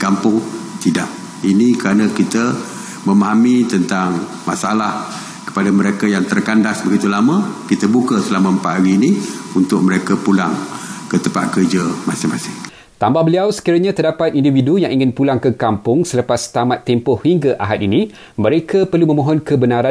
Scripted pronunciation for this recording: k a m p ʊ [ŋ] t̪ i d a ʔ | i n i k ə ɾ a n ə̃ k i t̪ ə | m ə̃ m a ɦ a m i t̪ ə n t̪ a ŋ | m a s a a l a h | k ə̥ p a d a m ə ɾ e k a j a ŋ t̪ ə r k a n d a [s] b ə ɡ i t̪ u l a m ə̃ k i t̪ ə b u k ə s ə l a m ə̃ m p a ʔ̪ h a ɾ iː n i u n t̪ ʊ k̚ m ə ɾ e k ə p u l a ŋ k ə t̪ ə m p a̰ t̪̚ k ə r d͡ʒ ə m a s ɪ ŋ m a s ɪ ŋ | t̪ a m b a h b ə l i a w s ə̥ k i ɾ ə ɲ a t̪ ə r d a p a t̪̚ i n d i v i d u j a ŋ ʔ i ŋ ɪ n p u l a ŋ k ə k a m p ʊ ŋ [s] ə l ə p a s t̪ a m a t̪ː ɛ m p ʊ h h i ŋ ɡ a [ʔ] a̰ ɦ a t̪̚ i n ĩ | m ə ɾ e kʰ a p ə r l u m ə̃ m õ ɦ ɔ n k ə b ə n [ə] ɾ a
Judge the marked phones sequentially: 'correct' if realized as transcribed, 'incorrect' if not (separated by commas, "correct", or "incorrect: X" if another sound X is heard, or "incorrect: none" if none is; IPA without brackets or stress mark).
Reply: correct, correct, correct, correct, incorrect: a